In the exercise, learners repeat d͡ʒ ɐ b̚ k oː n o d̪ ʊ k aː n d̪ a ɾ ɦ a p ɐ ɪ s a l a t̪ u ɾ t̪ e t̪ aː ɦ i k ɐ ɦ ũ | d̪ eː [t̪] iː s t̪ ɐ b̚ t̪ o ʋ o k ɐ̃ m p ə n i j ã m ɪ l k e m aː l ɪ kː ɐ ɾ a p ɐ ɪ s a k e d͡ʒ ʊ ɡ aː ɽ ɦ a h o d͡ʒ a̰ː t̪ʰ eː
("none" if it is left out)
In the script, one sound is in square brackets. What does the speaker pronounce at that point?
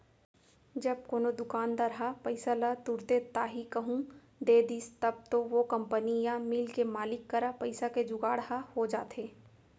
d̪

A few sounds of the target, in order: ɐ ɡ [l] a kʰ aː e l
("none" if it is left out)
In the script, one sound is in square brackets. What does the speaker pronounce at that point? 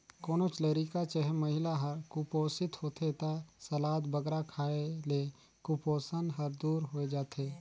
ɾ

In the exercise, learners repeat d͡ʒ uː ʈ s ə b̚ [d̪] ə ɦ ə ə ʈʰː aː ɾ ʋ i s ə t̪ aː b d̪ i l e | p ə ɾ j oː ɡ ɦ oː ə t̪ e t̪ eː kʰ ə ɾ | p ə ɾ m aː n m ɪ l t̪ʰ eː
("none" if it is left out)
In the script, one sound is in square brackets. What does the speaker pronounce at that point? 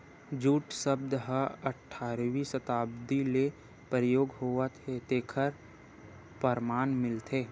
d̪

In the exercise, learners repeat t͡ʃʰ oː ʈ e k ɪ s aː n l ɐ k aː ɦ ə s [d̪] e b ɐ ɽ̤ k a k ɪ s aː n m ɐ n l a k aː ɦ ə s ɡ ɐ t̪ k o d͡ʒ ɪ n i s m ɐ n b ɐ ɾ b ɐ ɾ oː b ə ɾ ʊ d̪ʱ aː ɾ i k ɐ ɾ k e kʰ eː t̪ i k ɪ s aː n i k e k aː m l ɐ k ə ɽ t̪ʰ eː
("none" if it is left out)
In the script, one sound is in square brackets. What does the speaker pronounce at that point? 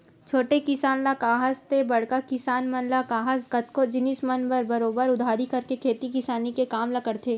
t̪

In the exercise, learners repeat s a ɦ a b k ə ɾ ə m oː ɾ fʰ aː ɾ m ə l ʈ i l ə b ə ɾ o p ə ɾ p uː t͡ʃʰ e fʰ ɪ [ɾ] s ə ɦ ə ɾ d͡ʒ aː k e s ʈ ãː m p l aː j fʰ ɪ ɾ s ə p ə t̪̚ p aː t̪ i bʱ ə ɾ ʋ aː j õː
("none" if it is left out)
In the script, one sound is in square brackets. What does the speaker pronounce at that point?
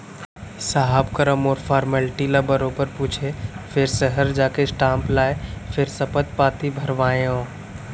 ɾ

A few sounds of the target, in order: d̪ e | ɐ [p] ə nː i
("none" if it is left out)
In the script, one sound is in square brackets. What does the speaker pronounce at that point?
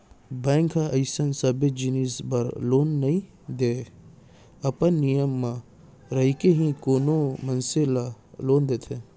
p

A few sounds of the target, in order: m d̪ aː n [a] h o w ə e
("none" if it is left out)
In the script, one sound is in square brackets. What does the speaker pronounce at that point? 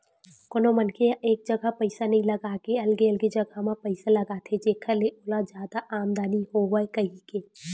i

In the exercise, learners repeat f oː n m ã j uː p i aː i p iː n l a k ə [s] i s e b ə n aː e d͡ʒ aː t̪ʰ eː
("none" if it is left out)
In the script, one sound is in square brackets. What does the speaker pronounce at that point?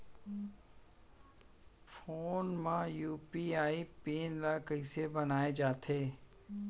none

